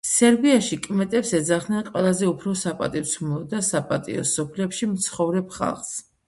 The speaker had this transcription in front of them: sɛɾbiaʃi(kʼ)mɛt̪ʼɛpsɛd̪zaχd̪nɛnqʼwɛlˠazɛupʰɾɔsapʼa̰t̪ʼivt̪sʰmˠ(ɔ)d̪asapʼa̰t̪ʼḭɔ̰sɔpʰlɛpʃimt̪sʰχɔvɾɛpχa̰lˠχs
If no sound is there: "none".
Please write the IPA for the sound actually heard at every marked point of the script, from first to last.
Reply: kʼ, ɔ

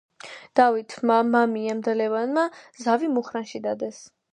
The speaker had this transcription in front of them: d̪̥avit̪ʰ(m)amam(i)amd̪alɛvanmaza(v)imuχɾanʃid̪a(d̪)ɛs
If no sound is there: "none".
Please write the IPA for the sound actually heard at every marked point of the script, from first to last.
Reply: m, i, v, d̪

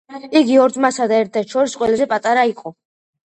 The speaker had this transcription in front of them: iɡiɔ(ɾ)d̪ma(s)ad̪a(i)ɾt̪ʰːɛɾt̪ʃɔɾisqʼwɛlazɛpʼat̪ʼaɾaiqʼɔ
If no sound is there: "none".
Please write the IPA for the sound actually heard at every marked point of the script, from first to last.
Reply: ɾ, s, ɛ

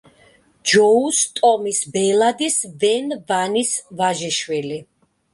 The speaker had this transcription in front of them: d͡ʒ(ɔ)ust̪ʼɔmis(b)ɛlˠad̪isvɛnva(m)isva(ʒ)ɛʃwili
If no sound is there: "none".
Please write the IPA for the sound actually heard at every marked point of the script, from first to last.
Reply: ɔ, b, n, ʒ

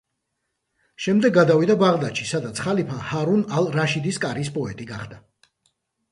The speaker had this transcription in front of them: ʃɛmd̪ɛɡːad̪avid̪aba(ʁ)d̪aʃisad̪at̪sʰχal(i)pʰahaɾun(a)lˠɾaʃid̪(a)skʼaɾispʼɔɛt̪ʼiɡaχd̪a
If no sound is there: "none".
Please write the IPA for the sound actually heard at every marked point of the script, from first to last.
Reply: ʁ, i, a, i

